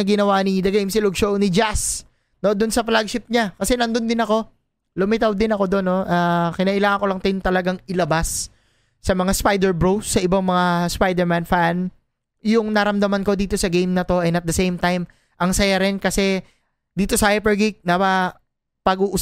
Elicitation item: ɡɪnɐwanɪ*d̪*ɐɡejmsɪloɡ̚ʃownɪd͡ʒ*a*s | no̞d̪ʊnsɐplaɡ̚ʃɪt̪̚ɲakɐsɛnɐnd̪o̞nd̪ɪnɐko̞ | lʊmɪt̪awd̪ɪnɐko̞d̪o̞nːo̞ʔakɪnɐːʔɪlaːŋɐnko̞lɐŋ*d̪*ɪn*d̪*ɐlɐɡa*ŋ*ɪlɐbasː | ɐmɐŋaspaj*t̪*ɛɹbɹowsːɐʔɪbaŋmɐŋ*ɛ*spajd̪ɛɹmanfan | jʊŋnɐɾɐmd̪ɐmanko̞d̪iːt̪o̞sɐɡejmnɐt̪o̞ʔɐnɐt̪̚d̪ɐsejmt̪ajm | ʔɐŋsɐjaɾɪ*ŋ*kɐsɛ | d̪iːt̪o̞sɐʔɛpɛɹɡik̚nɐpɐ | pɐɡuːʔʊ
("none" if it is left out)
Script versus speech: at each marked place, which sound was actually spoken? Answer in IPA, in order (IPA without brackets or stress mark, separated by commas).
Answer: d̪, a, t̪, t̪, ŋ, d̪, a, n